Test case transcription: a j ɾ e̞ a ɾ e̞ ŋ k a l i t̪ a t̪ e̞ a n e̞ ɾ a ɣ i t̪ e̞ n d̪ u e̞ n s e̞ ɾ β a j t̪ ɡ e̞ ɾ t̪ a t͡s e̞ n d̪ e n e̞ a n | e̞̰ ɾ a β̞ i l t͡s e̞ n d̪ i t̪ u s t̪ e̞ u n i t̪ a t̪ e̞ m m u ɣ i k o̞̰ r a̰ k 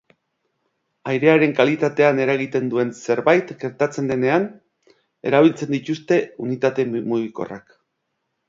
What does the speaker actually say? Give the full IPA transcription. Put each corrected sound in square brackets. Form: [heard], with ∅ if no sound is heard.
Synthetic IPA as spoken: a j ɾ e̞ a ɾ e̞ ŋ k a l i t̪ a t̪ e̞ a n e̞ ɾ a ɣ i t̪ e̞ n d̪ u e̞ n s e̞ ɾ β a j t̪ ɡ e̞ ɾ t̪ a t͡s e̞ n d̪ e n e̞ a n | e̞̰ ɾ a β̞ i l t͡s e̞ n d̪ i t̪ u s t̪ e̞ u n i t̪ a t̪ e̞ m m u ɣ i k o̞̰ r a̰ k